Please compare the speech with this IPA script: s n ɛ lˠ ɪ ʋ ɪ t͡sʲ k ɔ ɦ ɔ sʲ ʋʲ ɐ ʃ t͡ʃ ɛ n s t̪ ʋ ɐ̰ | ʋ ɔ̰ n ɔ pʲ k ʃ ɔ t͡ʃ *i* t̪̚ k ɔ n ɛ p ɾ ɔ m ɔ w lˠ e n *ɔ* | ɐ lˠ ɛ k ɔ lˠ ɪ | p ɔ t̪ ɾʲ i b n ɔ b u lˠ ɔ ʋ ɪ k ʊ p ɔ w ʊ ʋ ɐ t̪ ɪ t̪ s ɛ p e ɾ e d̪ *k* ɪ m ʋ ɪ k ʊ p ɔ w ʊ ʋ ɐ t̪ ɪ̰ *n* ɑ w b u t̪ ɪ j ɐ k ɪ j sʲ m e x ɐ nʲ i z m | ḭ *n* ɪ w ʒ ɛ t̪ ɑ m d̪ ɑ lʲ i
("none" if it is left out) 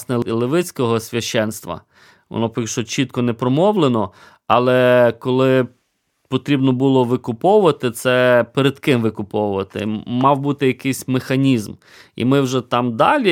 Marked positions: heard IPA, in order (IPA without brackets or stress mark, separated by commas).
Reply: i, ɔ, k, m, m